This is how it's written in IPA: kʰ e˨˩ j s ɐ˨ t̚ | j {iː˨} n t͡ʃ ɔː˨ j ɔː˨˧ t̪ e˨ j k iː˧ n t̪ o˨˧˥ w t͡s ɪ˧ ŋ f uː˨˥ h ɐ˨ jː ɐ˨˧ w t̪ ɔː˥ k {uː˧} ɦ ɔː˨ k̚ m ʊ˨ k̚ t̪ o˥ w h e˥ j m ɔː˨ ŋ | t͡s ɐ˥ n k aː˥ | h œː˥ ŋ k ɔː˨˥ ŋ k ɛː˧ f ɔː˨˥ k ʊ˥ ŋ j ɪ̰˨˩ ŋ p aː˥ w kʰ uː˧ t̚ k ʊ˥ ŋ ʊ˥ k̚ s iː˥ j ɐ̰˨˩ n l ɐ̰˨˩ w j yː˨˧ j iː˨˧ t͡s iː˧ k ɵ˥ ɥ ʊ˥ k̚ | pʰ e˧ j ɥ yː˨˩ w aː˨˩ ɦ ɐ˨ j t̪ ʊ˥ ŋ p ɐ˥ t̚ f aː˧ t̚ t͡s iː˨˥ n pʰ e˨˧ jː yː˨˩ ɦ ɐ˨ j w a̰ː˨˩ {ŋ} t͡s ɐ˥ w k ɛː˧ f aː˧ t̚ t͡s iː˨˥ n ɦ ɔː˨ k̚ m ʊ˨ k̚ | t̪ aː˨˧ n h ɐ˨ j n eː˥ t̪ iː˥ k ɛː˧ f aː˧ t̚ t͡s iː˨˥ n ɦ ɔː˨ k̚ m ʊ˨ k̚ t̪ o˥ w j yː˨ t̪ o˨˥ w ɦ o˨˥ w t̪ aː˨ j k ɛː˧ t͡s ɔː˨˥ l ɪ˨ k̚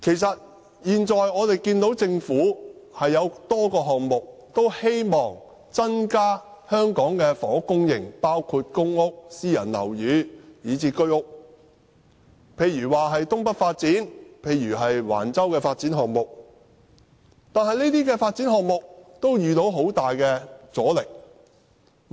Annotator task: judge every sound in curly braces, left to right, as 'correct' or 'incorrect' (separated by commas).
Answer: correct, incorrect, incorrect